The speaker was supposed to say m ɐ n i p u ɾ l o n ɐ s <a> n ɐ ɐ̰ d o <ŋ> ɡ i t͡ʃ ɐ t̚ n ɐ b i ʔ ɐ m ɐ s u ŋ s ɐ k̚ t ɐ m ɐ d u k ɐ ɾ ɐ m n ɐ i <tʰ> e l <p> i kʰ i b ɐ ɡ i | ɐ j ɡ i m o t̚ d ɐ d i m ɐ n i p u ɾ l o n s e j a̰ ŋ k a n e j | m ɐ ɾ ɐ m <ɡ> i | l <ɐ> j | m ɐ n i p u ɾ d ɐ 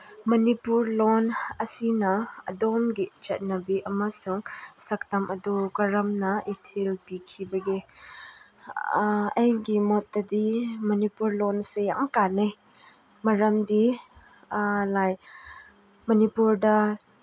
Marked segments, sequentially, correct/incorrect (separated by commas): incorrect, incorrect, correct, correct, incorrect, incorrect